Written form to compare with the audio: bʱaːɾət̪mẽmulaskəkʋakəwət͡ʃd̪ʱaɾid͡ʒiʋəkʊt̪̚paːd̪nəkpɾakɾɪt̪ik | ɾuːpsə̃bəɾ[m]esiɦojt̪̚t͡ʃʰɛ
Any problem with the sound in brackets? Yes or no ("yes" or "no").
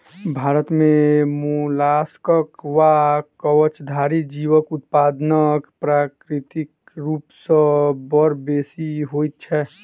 yes